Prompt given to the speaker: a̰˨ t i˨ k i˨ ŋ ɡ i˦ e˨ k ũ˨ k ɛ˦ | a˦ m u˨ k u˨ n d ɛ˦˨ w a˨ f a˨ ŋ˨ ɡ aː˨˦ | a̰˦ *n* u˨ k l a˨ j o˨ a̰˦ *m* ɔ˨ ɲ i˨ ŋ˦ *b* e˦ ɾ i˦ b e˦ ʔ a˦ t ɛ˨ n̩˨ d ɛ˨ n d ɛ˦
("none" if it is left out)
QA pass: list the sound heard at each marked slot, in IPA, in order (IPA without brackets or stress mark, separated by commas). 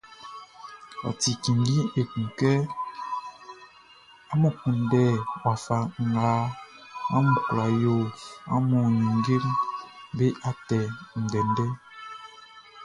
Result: m, m, ɡ